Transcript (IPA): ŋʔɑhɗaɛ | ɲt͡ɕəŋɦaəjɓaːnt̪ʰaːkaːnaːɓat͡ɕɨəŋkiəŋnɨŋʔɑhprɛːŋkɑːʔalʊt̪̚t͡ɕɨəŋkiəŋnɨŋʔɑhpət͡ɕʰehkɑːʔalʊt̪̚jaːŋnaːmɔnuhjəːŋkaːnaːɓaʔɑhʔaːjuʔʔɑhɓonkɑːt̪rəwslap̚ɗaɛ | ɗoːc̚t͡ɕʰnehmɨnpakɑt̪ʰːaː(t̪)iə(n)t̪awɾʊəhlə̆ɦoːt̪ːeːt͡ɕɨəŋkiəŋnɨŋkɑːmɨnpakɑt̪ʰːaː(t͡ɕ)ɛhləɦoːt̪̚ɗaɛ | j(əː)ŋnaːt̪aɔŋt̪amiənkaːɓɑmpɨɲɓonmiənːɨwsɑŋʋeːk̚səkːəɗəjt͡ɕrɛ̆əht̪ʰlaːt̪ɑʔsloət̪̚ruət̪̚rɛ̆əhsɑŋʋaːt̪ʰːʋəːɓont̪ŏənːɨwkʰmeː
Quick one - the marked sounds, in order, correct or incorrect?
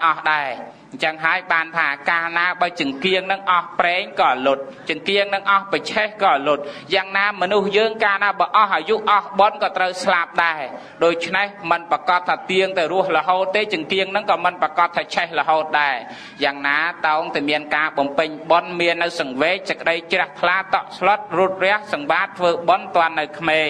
correct, incorrect, incorrect, incorrect

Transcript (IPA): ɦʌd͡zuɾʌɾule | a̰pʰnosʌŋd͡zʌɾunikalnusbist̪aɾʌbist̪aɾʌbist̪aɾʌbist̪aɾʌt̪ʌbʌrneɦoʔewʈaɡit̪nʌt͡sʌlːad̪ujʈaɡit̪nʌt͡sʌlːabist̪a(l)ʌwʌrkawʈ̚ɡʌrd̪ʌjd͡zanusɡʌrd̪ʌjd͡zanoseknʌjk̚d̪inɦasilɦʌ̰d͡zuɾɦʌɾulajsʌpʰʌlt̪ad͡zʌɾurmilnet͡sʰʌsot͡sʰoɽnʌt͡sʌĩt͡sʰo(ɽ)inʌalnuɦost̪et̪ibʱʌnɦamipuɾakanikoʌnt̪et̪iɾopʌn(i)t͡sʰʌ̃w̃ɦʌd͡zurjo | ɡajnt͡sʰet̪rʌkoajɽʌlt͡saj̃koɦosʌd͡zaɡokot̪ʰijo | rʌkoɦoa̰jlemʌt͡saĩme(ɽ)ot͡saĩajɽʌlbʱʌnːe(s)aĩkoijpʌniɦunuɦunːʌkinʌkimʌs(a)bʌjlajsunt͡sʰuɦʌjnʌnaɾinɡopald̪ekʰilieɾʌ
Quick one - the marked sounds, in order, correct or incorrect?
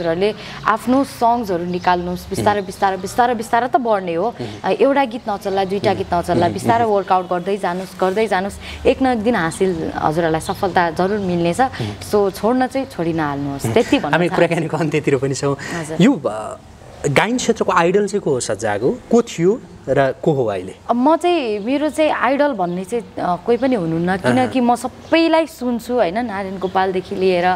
incorrect, correct, correct, incorrect, incorrect, incorrect

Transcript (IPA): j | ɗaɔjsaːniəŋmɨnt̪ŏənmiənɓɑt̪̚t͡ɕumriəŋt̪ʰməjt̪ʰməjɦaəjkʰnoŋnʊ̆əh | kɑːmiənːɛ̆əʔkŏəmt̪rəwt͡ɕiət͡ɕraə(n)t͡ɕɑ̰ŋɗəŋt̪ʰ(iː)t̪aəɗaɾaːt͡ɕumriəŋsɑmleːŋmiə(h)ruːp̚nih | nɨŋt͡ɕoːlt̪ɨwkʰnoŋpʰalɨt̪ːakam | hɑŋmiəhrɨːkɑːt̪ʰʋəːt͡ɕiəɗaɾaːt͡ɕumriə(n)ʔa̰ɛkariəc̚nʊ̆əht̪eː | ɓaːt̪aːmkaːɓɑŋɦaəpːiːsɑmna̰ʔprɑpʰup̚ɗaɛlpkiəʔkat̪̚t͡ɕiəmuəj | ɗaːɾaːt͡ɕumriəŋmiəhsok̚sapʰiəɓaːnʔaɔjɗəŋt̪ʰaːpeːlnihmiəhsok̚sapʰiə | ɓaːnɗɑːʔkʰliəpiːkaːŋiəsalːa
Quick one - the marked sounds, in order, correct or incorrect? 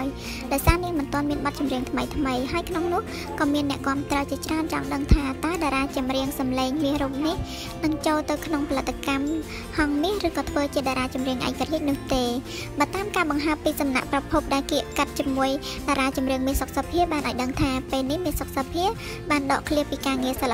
correct, incorrect, correct, incorrect

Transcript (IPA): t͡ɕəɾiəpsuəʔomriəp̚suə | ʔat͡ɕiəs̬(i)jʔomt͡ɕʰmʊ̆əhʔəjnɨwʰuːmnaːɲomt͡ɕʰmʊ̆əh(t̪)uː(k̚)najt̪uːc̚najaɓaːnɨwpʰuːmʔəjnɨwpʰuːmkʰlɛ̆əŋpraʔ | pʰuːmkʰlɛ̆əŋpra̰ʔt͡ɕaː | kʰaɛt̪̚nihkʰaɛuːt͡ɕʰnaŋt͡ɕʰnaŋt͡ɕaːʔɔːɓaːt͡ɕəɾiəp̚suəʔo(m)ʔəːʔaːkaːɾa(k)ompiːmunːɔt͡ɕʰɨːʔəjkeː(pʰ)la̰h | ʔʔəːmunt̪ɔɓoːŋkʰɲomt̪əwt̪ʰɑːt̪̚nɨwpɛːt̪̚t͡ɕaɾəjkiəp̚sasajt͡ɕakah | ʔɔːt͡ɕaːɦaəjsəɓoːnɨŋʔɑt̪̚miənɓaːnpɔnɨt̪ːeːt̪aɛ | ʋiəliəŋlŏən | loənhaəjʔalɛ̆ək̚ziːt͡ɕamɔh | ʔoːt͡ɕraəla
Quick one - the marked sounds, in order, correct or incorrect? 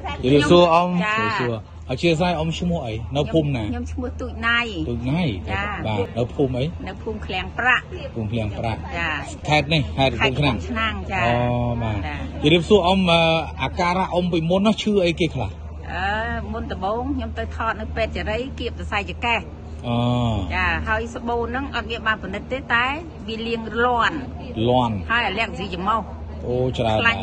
incorrect, correct, incorrect, correct, incorrect, incorrect

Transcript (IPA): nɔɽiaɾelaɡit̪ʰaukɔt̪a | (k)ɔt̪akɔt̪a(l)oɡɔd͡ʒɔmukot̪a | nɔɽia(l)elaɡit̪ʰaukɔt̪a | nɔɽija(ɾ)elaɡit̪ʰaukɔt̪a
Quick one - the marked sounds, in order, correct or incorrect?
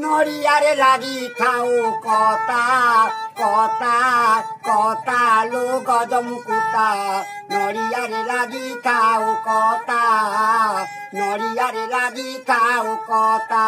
correct, correct, incorrect, correct

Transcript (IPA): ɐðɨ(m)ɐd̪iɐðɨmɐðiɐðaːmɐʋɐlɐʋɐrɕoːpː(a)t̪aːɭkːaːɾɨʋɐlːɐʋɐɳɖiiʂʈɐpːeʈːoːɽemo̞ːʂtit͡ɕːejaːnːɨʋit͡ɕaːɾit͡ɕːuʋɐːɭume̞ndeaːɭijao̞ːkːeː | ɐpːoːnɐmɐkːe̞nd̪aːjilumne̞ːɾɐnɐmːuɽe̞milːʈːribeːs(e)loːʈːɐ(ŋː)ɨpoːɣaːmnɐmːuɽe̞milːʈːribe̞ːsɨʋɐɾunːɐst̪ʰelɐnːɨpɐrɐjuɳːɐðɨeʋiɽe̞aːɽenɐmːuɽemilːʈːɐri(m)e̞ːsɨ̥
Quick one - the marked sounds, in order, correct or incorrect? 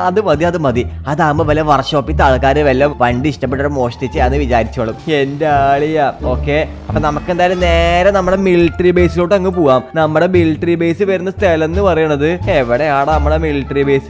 correct, incorrect, incorrect, correct, incorrect

